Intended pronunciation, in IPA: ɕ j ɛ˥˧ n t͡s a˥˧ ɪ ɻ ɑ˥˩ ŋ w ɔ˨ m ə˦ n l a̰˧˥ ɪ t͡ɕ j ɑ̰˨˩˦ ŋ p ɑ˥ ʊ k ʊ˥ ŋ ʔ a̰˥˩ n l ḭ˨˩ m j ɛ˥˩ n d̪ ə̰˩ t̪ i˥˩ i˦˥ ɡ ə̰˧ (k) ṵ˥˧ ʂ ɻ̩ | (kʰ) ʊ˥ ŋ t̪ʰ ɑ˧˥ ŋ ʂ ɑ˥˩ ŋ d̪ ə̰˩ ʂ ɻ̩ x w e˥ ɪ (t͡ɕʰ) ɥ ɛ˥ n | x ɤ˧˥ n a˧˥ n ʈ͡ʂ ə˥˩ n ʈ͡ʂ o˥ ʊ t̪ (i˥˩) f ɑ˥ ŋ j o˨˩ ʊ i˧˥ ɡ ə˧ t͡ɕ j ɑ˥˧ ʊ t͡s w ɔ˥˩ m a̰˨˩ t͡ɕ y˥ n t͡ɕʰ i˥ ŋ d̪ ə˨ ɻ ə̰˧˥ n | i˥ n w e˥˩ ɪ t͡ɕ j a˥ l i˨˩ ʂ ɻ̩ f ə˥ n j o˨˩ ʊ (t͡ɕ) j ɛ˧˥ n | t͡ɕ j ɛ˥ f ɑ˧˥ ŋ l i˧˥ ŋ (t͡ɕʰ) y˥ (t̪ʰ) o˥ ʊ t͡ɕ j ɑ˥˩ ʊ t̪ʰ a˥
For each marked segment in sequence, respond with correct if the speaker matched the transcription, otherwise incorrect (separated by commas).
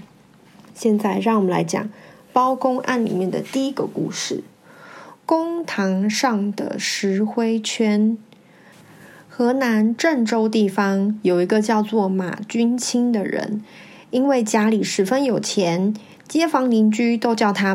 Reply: correct, incorrect, correct, correct, incorrect, incorrect, incorrect